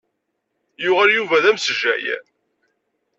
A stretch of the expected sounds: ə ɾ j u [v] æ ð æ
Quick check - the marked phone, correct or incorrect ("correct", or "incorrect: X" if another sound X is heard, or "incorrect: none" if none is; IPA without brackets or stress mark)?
correct